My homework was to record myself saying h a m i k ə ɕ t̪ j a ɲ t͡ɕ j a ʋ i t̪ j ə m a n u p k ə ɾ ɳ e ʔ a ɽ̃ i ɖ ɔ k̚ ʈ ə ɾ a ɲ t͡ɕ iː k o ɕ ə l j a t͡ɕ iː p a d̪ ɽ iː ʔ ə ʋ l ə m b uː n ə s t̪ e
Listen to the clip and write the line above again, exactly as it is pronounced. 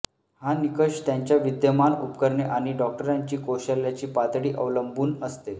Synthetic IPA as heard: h a n i k ə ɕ t̪ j a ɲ t͡ɕ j a ʋ i d̪ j ə m a n u p k ə ɾ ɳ e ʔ a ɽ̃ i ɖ ɔ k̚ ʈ ə ɾ a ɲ t͡ɕ iː k o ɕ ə l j a t͡ɕ iː p a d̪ ɽ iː ʔ ə ʋ l ə m b uː n ə s t̪ e